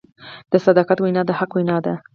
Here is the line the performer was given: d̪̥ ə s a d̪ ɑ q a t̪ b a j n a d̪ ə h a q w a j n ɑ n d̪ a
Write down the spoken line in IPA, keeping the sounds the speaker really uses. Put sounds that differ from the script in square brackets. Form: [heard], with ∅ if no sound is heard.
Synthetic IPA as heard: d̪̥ ə s a d̪ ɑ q a t̪ [w] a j n [ɑ] d̪ ə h a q w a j n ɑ [∅] d̪ a